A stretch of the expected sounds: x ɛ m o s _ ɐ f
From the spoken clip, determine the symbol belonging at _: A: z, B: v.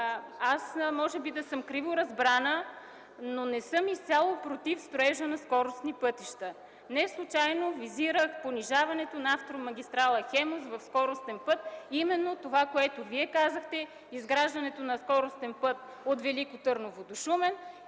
B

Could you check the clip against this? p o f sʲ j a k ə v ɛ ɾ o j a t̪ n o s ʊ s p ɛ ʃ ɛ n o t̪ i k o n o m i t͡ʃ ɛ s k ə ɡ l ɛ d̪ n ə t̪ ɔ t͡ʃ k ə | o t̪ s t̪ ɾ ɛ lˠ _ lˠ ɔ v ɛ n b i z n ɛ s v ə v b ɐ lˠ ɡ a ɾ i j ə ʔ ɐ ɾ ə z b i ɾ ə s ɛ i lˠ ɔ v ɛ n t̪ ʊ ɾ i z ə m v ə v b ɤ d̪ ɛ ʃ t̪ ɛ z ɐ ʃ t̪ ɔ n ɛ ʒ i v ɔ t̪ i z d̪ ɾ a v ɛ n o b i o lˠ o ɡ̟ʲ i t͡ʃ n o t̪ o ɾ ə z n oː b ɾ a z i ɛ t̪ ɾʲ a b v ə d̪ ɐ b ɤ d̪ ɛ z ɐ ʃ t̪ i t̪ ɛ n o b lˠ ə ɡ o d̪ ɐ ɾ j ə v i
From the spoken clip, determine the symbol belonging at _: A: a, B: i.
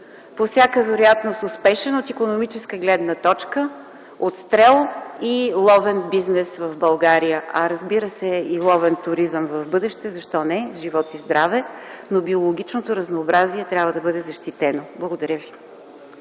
B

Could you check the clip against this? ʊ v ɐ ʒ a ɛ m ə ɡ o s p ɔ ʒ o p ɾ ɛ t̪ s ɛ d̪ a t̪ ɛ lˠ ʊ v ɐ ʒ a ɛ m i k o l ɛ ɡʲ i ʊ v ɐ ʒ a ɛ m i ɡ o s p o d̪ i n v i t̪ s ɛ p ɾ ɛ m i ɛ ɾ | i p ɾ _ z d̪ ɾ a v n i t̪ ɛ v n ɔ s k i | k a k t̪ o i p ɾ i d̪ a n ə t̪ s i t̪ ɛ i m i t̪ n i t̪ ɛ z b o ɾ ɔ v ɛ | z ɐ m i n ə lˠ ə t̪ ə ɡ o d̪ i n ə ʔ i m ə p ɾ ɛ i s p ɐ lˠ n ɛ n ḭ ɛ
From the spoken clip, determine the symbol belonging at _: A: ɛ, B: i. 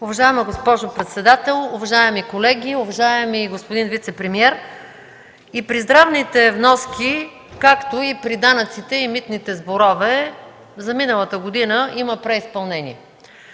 B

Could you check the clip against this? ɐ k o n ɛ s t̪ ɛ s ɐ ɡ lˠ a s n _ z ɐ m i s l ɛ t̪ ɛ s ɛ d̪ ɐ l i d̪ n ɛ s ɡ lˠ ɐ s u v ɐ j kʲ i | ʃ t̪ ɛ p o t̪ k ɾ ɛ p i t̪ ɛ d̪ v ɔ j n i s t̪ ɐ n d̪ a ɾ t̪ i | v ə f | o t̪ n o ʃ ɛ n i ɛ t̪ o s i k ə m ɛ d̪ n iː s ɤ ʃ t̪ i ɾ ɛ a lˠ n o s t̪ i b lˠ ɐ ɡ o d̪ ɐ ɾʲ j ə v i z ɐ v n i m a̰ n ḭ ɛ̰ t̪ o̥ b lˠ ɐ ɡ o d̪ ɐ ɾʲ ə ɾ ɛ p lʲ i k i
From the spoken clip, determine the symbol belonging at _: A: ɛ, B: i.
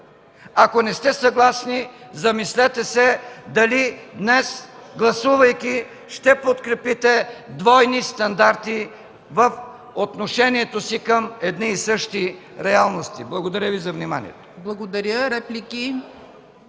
B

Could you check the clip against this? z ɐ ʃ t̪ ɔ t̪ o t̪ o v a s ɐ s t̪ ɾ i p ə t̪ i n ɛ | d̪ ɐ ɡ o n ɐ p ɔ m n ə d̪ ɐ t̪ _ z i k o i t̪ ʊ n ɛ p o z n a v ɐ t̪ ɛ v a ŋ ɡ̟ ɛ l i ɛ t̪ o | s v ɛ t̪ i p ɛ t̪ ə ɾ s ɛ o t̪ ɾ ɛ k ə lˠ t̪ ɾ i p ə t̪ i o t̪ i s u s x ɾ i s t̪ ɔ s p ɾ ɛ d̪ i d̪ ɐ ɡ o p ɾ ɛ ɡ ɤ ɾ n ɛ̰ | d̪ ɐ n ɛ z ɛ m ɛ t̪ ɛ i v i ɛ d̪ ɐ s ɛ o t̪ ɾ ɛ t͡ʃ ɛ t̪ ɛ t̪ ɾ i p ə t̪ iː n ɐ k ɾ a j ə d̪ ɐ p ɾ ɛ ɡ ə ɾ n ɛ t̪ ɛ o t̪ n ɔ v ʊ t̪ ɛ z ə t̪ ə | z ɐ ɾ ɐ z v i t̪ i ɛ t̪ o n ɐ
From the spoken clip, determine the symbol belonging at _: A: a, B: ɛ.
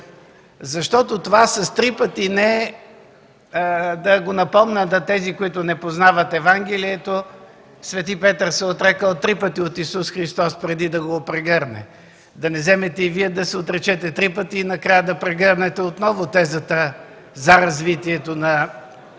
B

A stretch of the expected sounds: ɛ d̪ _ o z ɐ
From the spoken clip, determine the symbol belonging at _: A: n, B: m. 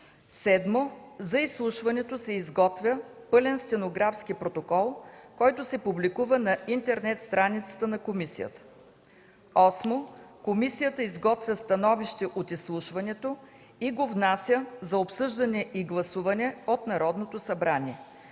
B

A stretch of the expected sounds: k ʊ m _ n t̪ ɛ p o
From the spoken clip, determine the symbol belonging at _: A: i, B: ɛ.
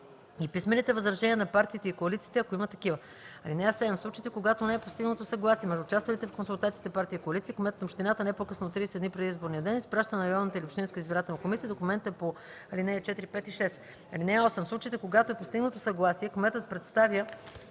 B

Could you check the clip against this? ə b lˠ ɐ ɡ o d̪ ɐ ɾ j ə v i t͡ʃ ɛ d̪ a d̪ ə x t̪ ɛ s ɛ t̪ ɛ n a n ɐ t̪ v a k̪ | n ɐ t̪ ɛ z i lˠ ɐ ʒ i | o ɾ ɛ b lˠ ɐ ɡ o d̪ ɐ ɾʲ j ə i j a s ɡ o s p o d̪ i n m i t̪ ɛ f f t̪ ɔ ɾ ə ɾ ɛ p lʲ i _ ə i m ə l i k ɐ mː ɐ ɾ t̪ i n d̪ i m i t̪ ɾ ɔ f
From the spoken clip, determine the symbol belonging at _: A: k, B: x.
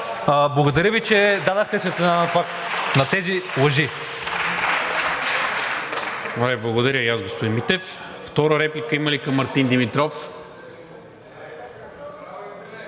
A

